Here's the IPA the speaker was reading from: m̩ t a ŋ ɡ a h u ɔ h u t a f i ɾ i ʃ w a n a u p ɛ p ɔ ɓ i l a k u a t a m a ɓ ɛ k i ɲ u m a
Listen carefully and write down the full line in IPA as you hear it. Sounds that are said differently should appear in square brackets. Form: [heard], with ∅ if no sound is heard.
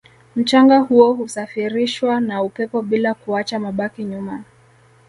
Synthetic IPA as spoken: m̩ [t͡ʃ] a ŋ ɡ a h u ɔ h u [s] a f i ɾ i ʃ w a n a u p ɛ p ɔ ɓ i l a k u a [t͡ʃ] a m a ɓ [a] k i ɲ u m a